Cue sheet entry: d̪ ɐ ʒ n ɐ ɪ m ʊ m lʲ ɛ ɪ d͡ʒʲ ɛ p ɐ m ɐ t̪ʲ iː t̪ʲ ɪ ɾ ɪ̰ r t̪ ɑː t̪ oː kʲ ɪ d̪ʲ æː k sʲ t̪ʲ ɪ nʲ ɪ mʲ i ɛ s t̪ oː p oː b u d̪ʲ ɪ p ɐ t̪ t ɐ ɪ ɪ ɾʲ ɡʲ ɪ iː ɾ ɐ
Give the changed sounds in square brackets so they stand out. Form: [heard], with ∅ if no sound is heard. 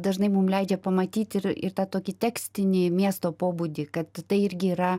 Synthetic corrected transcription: d̪ ɐ ʒ n ɐ ɪ m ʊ m lʲ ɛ ɪ d͡ʒʲ ɛ p ɐ m ɐ t̪ʲ iː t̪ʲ ɪ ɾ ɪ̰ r t̪ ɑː t̪ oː kʲ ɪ [t̪ʲ] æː k sʲ t̪ʲ ɪ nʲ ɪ mʲ i ɛ s t̪ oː p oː b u d̪ʲ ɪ [k] ɐ t̪ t ɐ ɪ ɪ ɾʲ ɡʲ ɪ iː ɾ ɐ